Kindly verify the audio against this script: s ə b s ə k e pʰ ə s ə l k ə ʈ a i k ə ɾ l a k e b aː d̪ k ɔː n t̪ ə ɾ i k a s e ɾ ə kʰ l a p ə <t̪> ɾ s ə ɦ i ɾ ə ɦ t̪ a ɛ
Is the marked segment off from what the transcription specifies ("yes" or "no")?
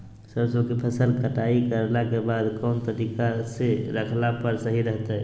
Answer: yes